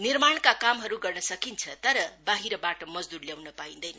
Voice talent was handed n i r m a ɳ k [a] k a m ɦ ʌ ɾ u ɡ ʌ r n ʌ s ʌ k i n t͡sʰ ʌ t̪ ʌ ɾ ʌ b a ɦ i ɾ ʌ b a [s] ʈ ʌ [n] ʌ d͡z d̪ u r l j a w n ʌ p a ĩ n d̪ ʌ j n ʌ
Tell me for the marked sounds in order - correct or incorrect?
correct, incorrect, incorrect

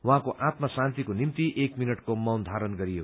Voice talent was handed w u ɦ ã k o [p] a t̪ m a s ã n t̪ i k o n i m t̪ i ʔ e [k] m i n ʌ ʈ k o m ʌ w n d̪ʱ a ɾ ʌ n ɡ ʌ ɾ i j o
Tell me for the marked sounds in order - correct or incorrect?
incorrect, correct

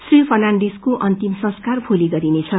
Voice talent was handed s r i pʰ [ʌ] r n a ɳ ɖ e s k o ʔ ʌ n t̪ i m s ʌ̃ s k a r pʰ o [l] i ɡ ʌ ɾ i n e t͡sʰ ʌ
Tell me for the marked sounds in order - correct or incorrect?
correct, correct

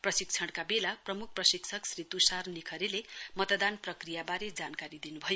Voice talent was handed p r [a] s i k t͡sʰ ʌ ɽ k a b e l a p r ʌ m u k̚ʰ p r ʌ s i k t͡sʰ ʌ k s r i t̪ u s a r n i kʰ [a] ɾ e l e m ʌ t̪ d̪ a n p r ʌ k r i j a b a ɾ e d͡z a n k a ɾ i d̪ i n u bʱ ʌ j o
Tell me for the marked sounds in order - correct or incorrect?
incorrect, incorrect

